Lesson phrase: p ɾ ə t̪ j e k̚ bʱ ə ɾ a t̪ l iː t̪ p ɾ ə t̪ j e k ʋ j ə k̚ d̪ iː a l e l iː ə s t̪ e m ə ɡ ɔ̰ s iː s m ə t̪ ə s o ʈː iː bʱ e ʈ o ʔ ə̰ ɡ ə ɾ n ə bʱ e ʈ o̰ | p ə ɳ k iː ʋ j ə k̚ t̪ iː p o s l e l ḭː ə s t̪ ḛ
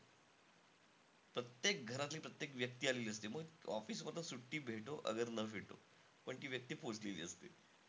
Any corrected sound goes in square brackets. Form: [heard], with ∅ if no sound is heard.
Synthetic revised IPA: p ɾ ə t̪ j e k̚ [ɡʱ] ə ɾ a t̪ l iː [∅] p ɾ ə t̪ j e k ʋ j ə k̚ [t̪] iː a l e l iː ə s t̪ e m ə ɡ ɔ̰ [f] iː s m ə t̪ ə s [u] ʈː iː bʱ e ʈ o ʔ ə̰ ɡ ə ɾ n ə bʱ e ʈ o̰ | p ə ɳ k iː ʋ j ə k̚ t̪ iː p o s l e l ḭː ə s t̪ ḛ